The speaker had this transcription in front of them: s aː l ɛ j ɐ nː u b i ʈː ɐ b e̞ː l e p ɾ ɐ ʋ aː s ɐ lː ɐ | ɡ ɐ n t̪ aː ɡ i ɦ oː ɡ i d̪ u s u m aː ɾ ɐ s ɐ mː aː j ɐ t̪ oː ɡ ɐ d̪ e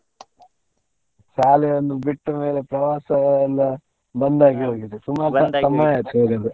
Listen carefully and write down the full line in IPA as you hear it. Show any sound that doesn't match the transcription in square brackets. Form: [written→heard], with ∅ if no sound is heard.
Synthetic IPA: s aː l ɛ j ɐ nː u b i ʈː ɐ [b→m] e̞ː l e p ɾ ɐ ʋ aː s ɐ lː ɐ | [ɡ→b] ɐ n [t̪→d̪] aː ɡ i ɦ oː ɡ i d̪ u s u m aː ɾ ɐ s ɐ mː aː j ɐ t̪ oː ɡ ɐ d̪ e